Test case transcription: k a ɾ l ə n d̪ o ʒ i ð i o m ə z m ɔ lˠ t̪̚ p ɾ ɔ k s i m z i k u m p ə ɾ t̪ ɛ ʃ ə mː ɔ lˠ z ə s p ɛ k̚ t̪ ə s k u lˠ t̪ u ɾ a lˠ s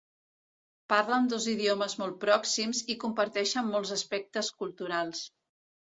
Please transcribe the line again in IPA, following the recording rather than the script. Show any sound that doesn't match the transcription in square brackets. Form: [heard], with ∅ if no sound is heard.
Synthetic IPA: [p] a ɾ l ə n d̪ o [z] i ð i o m ə z m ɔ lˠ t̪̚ p ɾ ɔ k s i m z i k u m p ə ɾ t̪ ɛ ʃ ə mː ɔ lˠ z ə s p ɛ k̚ t̪ ə s k u lˠ t̪ u ɾ a lˠ s